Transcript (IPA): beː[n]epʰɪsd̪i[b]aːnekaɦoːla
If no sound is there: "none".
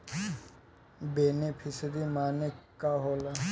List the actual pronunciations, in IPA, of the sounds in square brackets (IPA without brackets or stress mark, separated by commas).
n, m